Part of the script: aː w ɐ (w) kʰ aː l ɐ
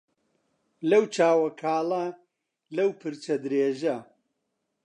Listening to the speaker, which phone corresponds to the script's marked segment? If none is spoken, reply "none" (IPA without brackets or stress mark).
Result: none